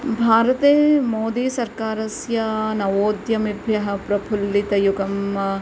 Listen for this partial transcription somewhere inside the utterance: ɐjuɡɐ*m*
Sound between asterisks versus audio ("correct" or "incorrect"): correct